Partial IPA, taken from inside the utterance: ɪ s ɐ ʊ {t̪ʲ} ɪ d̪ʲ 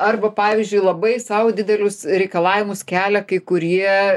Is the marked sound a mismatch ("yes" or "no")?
yes